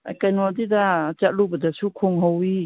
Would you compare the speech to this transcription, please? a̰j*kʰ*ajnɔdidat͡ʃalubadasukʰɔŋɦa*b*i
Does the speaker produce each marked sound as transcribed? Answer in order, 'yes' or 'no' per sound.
no, no

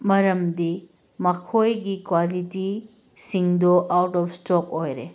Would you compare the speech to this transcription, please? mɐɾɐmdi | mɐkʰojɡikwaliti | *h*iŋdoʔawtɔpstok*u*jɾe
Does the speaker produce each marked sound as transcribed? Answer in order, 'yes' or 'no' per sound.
no, no

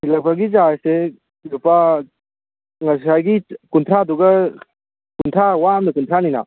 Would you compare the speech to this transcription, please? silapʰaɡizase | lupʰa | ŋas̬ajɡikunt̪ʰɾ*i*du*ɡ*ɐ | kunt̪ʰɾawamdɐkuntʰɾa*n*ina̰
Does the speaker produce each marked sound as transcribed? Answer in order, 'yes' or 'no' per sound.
no, yes, yes

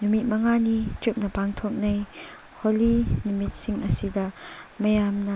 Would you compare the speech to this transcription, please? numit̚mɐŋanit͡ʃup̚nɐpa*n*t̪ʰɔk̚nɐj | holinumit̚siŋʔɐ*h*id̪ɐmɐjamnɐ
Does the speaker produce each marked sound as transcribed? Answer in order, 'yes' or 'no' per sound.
no, no

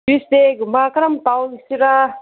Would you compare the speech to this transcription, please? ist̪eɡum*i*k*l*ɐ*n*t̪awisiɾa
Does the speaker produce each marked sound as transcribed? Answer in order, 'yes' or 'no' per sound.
no, no, no

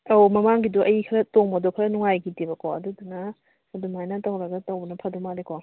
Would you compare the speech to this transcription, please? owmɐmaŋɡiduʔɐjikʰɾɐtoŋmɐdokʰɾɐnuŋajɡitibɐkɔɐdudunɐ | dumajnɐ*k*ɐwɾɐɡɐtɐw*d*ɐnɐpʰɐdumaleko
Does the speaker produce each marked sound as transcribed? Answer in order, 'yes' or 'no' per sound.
no, no

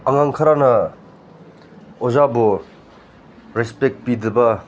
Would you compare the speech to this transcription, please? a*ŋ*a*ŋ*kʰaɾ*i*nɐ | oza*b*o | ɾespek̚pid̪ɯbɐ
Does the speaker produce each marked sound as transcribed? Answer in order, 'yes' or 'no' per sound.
yes, yes, no, yes

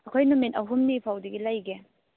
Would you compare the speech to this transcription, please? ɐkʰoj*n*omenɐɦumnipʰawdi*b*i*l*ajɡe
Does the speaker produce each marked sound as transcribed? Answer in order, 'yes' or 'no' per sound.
yes, no, yes

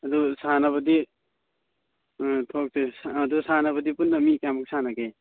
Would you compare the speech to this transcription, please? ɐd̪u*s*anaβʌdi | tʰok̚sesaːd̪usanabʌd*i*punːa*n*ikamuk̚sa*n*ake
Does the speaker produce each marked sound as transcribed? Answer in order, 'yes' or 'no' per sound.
yes, yes, no, yes

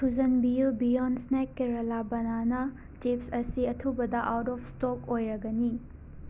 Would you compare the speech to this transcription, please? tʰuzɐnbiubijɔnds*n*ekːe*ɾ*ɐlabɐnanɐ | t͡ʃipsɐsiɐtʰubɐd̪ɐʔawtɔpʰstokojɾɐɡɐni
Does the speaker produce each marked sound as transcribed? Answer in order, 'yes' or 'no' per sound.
yes, yes

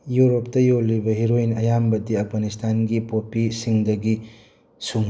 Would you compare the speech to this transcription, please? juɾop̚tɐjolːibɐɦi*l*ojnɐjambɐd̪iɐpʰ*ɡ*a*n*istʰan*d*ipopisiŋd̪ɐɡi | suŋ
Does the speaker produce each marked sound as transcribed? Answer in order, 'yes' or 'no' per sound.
no, yes, yes, no

